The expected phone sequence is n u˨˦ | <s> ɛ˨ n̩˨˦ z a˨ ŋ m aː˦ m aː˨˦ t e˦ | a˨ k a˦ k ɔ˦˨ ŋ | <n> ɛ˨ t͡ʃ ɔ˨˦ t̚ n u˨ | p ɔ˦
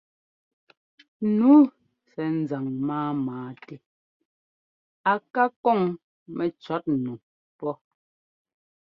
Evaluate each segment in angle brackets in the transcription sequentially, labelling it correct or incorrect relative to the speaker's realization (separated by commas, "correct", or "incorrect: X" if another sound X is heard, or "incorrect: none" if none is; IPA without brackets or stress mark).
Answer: correct, incorrect: m